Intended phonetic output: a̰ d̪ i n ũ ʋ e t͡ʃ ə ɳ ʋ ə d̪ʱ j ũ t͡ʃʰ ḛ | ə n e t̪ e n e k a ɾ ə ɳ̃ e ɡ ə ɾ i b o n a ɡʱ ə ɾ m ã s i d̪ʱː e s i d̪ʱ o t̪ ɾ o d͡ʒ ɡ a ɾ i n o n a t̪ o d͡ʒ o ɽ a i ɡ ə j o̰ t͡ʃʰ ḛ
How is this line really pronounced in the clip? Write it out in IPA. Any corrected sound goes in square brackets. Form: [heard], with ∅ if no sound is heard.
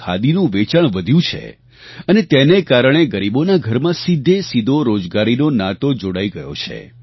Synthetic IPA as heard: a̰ d̪ i n ũ ʋ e t͡ʃ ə ɳ ʋ ə d̪ʱ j ũ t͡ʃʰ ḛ | ə n e t̪ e n e k a ɾ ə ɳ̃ e ɡ ə ɾ i b o n a ɡʱ ə ɾ m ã s i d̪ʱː e s i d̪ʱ o [∅] ɾ o d͡ʒ ɡ a ɾ i n o n a t̪ o d͡ʒ o ɽ a i ɡ ə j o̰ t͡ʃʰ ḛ